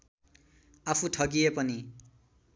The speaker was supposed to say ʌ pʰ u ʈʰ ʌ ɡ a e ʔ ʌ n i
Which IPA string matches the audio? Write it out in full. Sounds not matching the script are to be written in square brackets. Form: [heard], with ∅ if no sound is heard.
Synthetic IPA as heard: [a] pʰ u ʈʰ ʌ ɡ [i] e [p] ʌ n i